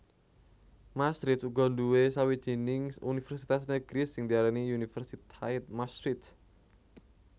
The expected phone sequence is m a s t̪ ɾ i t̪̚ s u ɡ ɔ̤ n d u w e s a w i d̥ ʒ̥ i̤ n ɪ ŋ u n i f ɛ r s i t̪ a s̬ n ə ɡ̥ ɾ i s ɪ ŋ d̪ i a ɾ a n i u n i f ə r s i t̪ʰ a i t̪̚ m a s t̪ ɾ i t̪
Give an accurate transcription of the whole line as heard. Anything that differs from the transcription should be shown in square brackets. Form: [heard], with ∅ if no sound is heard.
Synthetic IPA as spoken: m a s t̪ ɾ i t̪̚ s u ɡ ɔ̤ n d u w e s a w i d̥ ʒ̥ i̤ n ɪ ŋ u n i f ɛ r s i t̪ a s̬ n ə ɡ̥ ɾ i s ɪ ŋ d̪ i a ɾ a n i u n i f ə r s i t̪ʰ a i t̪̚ m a s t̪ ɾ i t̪